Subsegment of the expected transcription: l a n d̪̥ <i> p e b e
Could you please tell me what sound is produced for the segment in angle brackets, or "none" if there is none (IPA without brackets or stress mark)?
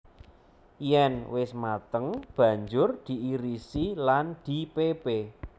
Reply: i